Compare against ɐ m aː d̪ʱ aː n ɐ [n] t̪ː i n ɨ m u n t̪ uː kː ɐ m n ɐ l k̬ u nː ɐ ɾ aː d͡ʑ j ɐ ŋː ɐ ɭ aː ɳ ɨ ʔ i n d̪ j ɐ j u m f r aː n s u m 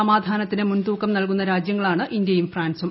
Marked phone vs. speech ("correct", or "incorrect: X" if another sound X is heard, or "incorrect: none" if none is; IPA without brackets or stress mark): incorrect: none